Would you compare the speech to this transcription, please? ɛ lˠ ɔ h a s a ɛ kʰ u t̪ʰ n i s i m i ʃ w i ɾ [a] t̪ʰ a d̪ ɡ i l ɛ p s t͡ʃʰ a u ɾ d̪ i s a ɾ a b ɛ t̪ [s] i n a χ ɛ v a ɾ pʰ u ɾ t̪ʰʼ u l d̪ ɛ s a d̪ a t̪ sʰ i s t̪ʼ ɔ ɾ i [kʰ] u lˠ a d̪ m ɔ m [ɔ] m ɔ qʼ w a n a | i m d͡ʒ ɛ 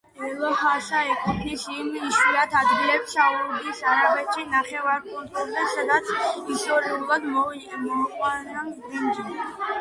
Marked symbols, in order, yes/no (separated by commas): yes, no, no, yes